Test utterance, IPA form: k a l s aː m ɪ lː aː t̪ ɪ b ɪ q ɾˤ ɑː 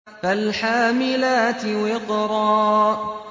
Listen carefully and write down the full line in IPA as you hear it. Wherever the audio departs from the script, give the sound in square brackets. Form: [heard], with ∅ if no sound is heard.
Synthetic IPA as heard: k a l [ħ] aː m ɪ [l] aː t̪ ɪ [w] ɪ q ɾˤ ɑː

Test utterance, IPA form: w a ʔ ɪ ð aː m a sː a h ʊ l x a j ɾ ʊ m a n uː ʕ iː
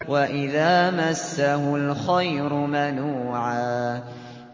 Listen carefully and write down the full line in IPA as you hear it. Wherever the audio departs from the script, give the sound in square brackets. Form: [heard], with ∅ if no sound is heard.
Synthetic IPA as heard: w a ʔ ɪ ð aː m a sː a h ʊ l x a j ɾ ʊ m a n uː ʕ [aː]

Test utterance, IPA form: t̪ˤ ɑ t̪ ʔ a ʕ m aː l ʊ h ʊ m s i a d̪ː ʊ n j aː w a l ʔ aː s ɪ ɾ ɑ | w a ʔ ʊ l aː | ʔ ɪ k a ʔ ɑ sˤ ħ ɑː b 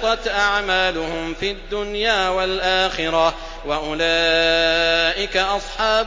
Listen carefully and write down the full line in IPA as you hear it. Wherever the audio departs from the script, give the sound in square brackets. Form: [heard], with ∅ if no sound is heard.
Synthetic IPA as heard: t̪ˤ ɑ t̪ ʔ a ʕ m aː l ʊ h ʊ m [f] i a d̪ː ʊ n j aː w a l ʔ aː [x] ɪ ɾ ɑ | w a ʔ ʊ l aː | ʔ ɪ k a ʔ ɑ sˤ ħ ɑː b

